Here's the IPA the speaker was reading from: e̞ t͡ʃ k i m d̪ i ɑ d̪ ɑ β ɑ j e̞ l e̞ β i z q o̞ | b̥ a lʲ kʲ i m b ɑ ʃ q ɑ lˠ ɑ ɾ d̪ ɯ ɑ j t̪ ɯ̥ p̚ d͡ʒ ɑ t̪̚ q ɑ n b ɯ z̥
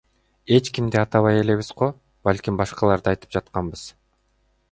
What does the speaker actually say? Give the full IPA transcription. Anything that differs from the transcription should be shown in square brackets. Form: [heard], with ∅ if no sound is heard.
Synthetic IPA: e̞ t͡ʃ k i m d̪ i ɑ [t̪] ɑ β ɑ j e̞ l e̞ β i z q o̞ | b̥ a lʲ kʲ i m b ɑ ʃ q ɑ lˠ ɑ ɾ d̪ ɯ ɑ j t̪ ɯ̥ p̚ d͡ʒ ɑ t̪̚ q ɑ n b ɯ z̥